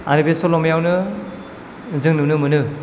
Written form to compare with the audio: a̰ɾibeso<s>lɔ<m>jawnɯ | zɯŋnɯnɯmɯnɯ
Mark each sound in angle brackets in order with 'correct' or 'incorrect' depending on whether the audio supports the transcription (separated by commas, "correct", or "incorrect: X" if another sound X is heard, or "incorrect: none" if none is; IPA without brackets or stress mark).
incorrect: none, correct